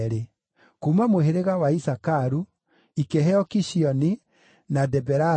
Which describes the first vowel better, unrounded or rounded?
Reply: unrounded